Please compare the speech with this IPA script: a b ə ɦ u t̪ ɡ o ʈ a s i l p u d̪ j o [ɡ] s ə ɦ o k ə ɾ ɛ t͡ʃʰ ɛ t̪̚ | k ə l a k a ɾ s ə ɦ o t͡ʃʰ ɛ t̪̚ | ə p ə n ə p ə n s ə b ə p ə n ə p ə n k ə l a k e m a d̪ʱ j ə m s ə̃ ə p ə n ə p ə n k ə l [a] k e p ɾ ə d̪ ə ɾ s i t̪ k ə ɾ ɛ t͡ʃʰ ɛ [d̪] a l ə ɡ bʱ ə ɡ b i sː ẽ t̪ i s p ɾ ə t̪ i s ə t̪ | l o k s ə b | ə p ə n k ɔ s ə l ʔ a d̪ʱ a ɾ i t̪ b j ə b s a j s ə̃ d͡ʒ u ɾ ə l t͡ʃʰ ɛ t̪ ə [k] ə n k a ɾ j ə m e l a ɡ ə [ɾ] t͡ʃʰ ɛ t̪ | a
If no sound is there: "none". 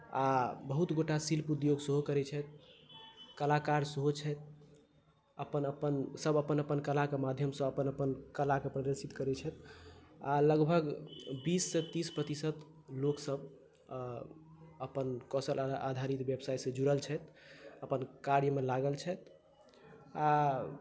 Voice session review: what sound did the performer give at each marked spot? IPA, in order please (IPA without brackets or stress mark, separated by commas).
ɡ, a, t̪, p, l